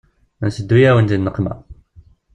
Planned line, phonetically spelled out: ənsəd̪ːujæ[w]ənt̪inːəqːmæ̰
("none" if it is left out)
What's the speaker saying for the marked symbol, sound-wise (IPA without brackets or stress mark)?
w